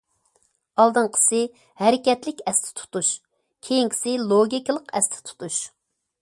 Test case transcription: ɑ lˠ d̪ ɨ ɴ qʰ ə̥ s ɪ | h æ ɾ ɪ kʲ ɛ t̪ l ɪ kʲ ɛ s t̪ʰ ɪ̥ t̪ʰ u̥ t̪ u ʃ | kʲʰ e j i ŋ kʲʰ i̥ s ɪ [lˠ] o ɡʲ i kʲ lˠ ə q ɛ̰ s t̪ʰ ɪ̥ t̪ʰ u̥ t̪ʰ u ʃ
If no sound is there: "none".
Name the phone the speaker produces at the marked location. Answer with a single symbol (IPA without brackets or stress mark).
lˠ